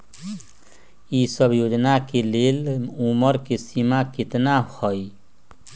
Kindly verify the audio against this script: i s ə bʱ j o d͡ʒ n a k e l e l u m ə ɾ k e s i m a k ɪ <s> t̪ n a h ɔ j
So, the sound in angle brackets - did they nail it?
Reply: no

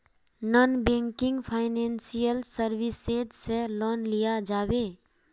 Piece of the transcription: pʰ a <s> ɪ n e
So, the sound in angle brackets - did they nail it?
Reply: no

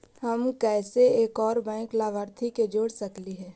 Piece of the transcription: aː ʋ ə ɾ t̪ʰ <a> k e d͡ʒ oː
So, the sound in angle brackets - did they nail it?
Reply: no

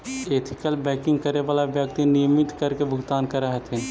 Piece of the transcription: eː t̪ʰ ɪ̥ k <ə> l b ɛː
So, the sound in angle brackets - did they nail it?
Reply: yes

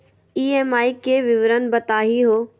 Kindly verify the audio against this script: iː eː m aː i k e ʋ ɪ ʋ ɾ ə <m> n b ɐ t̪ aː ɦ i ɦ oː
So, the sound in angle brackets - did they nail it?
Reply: no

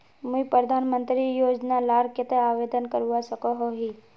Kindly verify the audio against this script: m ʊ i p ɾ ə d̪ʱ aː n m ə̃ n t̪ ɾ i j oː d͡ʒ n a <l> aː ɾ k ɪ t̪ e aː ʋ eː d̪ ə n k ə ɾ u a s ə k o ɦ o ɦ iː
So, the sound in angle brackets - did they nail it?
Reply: yes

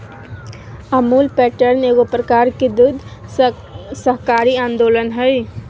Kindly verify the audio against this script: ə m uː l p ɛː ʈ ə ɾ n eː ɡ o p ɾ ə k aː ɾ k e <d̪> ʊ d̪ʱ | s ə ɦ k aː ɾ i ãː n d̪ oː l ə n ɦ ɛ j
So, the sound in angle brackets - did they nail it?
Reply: yes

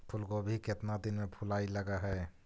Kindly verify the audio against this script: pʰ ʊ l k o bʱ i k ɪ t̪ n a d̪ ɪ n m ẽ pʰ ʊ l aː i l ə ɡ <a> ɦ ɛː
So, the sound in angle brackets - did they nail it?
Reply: yes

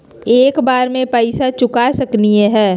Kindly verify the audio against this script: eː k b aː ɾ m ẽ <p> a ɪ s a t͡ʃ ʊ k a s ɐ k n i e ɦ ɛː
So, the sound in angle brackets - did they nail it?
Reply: yes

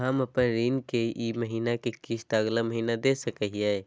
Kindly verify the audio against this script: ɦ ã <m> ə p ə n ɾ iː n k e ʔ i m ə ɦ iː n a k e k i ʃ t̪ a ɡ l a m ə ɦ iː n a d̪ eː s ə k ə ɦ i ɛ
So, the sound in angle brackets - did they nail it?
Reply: yes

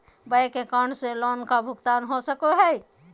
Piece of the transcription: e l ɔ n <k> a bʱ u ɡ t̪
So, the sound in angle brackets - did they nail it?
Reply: yes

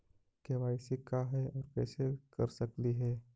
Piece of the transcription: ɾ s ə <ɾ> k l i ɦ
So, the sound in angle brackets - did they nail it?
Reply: no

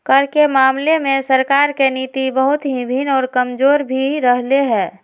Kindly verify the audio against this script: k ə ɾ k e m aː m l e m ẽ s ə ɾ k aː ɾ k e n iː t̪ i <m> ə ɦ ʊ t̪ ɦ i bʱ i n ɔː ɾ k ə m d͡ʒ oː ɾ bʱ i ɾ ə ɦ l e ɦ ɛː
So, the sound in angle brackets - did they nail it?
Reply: no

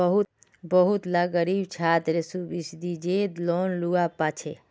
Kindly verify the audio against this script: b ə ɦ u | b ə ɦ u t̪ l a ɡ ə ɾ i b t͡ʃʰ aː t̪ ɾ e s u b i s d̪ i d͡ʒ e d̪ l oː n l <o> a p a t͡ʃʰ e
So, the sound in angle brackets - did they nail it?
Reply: no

